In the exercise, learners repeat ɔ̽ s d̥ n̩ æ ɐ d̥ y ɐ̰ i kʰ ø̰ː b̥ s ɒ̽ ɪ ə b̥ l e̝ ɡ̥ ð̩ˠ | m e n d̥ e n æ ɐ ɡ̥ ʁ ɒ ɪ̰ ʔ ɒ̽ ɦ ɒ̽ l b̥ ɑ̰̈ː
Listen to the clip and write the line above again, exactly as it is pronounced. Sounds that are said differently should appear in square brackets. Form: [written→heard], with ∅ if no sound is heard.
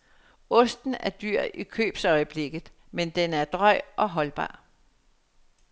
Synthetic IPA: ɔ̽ s d̥ n̩ æ ɐ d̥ y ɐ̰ i kʰ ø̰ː b̥ s ɒ̽ ɪ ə b̥ l e̝ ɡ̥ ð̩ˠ | m e n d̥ e n æ ɐ [ɡ̥→d̥] ʁ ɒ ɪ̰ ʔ ɒ̽ ɦ ɒ̽ l b̥ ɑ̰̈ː